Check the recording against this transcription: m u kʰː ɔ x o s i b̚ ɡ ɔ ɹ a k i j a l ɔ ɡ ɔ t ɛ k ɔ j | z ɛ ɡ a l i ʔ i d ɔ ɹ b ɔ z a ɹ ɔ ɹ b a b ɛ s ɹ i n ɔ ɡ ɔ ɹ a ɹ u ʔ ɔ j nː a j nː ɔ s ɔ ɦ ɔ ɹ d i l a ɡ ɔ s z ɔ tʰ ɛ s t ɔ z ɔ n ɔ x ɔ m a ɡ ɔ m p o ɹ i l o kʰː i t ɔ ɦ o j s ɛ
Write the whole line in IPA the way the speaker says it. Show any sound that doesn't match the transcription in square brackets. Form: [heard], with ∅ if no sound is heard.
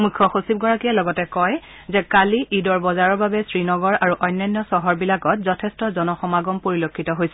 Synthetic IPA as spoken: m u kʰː ɔ x o s i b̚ ɡ ɔ ɹ a k i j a l ɔ ɡ ɔ t ɛ k ɔ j | z ɛ [k] a l i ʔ i d ɔ ɹ b ɔ z a ɹ ɔ ɹ b a b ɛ s ɹ i n ɔ ɡ ɔ ɹ a ɹ u ʔ ɔ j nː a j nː ɔ s ɔ ɦ ɔ ɹ [b] i l a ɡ ɔ [t] z ɔ tʰ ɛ s t ɔ z ɔ n ɔ x ɔ m a ɡ ɔ m p o ɹ i l o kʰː i t ɔ ɦ o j s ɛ